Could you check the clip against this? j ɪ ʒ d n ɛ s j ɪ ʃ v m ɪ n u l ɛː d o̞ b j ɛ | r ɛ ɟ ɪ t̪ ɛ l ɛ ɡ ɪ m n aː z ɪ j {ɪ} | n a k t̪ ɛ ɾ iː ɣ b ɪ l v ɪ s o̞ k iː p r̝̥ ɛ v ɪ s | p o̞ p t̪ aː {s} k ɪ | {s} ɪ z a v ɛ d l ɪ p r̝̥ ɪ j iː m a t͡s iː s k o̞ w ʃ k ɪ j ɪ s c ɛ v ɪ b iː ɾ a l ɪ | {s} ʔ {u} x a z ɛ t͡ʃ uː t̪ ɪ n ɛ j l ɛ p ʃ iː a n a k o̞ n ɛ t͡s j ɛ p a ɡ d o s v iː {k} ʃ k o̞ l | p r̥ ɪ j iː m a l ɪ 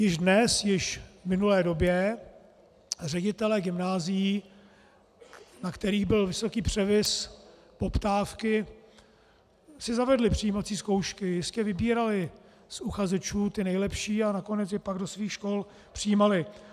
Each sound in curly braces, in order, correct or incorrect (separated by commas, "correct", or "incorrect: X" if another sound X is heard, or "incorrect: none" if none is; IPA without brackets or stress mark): incorrect: i, incorrect: f, correct, correct, correct, incorrect: x